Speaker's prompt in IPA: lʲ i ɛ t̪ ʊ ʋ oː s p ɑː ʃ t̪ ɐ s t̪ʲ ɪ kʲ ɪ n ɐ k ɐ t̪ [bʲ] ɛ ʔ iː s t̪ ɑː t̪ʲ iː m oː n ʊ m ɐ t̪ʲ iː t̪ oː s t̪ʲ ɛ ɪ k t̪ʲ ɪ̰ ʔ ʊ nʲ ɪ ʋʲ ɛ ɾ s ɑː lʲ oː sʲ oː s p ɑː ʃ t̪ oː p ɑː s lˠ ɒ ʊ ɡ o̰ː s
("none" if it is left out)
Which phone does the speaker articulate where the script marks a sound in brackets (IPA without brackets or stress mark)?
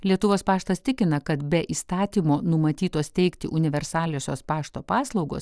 bʲ